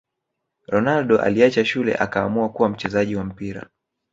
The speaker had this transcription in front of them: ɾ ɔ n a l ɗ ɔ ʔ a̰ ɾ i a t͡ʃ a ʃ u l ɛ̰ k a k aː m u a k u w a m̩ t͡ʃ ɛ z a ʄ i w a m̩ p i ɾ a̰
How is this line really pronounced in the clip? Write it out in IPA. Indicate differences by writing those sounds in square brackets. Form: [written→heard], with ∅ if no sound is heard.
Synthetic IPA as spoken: ɾ ɔ n a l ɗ ɔ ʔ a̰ [ɾ→l] i a t͡ʃ a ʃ u l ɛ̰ [k→ʔ] a k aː m u a k u w a m̩ t͡ʃ ɛ z a ʄ i w a m̩ p i ɾ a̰